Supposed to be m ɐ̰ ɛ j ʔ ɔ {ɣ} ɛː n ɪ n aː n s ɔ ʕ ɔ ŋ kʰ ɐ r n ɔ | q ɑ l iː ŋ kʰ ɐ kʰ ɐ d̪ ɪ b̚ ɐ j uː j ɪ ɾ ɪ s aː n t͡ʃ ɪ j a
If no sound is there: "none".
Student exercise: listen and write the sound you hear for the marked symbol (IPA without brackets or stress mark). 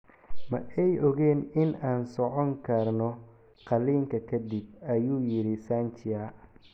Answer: ɣ